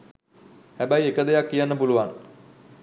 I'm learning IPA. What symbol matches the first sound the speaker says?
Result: h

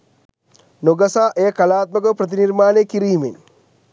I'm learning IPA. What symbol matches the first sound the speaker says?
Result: n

